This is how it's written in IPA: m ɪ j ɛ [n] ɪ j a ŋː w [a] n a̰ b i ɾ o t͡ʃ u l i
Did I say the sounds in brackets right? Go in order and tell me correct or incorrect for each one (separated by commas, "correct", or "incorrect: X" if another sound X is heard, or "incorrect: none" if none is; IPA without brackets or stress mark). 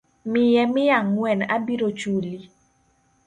incorrect: m, incorrect: ɛ